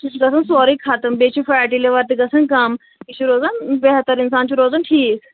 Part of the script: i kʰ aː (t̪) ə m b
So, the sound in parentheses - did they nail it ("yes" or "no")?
yes